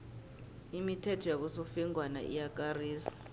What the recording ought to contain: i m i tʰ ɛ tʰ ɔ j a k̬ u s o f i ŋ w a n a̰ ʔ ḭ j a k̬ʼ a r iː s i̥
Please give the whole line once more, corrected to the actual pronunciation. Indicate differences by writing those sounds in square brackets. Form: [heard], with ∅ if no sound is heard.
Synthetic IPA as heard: i m i tʰ ɛ tʰ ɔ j a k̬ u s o f i ŋ w a n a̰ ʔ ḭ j a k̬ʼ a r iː s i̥